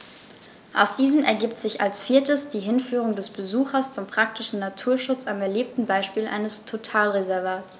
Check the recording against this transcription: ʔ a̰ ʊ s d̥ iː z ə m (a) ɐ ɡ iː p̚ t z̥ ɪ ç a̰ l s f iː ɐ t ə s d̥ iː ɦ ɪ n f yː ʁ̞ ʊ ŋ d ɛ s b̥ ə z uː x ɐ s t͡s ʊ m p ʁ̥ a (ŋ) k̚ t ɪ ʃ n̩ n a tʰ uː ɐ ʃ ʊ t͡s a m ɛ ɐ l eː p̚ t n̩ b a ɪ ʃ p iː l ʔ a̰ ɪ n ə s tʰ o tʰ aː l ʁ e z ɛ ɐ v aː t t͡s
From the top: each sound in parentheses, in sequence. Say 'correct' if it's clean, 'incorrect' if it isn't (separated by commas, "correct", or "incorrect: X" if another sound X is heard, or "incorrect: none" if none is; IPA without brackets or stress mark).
incorrect: ɛ, incorrect: none